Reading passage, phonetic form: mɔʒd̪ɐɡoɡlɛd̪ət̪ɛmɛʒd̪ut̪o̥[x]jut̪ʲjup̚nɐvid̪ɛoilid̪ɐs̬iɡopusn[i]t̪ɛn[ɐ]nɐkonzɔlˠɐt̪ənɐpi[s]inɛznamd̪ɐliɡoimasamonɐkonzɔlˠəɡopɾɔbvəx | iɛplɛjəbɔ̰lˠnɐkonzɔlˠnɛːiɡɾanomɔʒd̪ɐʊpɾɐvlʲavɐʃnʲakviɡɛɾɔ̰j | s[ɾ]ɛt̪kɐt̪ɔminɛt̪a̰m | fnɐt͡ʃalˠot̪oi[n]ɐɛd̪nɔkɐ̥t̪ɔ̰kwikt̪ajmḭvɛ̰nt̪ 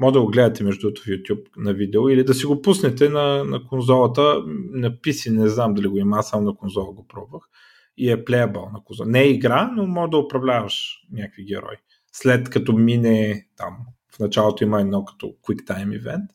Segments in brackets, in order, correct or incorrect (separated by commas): incorrect, incorrect, correct, correct, incorrect, incorrect